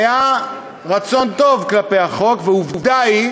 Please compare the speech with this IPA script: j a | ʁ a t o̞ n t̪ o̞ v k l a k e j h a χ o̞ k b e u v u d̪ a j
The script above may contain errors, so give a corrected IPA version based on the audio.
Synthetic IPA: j a | ʁ a t͡s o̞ n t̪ o̞ v k l a p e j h a χ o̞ k v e u v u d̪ a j